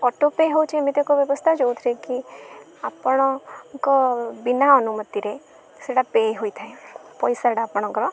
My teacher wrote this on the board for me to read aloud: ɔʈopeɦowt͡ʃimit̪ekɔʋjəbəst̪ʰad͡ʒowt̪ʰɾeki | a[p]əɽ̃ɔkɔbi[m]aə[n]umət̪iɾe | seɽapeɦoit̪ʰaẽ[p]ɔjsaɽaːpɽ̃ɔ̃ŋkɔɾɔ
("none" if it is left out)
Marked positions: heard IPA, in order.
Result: p, n, n, p

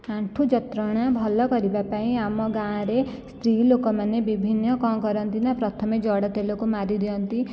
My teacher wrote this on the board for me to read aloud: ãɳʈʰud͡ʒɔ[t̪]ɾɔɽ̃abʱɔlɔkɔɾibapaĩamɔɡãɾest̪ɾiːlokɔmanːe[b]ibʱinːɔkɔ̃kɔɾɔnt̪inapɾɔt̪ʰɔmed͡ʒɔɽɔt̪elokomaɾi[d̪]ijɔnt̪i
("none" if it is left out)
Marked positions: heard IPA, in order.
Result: t̪, b, d̪

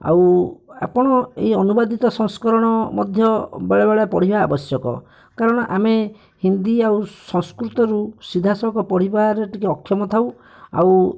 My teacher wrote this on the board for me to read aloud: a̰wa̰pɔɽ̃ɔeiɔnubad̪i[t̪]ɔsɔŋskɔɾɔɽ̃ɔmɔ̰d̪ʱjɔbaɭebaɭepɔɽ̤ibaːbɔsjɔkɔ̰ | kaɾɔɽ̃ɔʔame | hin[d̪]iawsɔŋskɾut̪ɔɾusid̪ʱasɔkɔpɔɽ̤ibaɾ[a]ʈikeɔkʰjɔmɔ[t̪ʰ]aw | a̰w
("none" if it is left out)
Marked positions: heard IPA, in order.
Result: t̪, d̪, e, t̪ʰ

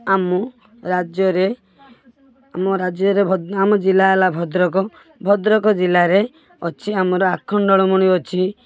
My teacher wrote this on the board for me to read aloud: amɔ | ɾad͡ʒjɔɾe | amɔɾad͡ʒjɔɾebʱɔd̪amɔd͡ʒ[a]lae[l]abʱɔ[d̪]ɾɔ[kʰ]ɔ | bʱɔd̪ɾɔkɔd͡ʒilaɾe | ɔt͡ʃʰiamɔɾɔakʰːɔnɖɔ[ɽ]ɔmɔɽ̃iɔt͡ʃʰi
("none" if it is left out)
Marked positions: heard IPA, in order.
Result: i, l, d̪, k, ɭ

